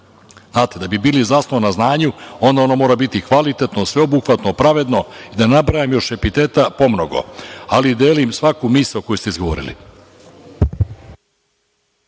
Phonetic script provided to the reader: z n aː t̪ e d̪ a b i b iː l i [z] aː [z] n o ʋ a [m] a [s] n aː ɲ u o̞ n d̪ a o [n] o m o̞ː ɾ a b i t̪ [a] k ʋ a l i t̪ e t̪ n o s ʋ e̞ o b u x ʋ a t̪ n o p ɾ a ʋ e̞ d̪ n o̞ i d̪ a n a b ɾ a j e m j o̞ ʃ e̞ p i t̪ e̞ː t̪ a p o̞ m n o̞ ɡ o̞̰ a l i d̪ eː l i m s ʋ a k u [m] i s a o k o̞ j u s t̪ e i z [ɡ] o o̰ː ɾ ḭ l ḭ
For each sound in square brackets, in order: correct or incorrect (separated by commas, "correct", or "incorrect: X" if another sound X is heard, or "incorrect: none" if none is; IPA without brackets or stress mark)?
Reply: correct, incorrect: s, incorrect: n, incorrect: z, correct, incorrect: i, correct, correct